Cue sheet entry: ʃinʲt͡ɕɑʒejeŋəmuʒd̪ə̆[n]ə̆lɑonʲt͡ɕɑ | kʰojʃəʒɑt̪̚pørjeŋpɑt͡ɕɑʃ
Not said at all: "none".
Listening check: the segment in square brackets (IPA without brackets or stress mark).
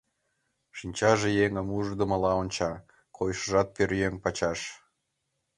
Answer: m